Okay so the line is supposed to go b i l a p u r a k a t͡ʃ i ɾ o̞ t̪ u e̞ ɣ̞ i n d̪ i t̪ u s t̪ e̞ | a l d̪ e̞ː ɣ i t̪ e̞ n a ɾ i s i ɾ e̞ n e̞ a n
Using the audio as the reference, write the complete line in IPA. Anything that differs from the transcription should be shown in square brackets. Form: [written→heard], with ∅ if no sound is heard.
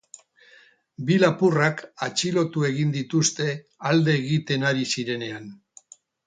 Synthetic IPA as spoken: b i l a p u r a k a t͡ʃ i [ɾ→l] o̞ t̪ u e̞ ɣ̞ i n d̪ i t̪ u s t̪ e̞ | a l d̪ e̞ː ɣ i t̪ e̞ n a ɾ i s i ɾ e̞ n e̞ a n